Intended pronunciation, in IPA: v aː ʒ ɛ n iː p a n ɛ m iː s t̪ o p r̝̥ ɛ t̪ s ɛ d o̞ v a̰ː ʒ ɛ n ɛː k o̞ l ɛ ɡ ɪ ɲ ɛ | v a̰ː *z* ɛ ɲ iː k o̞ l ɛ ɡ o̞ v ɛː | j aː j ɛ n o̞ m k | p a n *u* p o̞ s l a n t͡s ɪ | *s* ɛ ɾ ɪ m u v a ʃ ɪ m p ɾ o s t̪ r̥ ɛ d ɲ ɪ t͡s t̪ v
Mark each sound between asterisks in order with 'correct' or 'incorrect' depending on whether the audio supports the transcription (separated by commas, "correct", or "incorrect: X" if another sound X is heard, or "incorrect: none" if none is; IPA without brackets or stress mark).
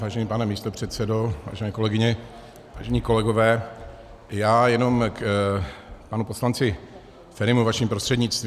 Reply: incorrect: ʒ, correct, incorrect: f